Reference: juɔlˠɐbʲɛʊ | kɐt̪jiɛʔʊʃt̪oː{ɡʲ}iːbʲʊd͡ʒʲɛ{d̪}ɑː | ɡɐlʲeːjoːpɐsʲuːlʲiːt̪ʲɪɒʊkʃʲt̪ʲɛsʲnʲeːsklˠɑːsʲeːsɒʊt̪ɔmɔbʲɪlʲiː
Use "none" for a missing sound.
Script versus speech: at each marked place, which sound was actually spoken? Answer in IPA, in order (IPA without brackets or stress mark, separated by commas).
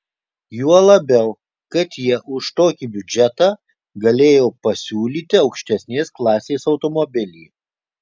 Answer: kʲ, t̪